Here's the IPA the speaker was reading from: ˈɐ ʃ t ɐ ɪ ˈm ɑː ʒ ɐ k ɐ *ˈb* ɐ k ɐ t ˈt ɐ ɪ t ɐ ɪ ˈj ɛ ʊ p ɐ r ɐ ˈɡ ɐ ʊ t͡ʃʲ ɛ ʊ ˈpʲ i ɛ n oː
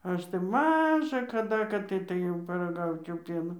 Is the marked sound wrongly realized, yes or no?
yes